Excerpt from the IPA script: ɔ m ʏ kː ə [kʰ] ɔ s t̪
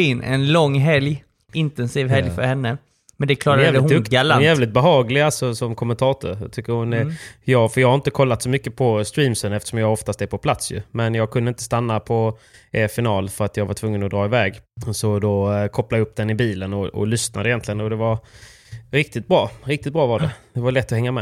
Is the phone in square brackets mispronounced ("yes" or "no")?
yes